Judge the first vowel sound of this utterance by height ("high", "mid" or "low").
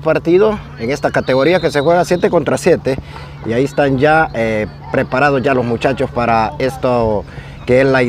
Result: low